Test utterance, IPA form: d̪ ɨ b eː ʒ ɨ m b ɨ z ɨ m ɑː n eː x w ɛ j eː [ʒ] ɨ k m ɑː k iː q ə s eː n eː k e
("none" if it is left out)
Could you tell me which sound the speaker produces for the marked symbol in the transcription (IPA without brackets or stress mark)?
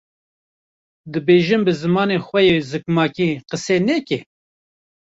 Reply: z